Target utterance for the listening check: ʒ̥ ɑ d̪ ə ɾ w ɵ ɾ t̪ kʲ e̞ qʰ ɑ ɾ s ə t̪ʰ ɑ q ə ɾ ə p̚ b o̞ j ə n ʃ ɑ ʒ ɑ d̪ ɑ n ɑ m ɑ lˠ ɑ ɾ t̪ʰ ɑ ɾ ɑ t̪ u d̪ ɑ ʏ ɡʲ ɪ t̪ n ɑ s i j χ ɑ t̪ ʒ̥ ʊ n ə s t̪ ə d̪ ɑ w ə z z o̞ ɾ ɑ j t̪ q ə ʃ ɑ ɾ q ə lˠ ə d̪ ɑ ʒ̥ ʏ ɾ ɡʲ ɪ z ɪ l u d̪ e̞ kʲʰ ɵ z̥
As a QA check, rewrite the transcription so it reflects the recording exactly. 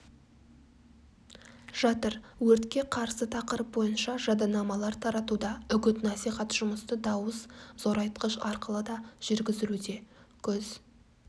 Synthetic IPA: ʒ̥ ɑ t̪ ə ɾ w ɵ ɾ t̪ kʲ e̞ qʰ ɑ ɾ s ə t̪ʰ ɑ q ə ɾ ə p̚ b o̞ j ə n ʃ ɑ ʒ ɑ d̪ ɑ n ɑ m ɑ lˠ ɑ ɾ t̪ʰ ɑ ɾ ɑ t̪ u d̪ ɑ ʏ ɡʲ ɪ t̪ n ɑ s i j χ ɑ t̪ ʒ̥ ʊ m ə s t̪ ə d̪ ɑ w ə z z o̞ ɾ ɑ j t̪ q ə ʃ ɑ ɾ q ə lˠ ə d̪ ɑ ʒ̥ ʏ ɾ ɡʲ ɪ z ɪ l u d̪ e̞ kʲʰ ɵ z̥